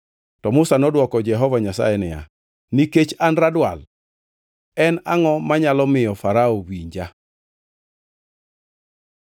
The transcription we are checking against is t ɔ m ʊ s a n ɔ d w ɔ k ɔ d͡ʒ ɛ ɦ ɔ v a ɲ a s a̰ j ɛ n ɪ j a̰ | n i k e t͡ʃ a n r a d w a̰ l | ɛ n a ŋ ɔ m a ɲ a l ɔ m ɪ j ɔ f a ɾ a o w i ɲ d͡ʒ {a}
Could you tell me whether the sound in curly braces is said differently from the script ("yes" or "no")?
no